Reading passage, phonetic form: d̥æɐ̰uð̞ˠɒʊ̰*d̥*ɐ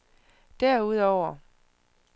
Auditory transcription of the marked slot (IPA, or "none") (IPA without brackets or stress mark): none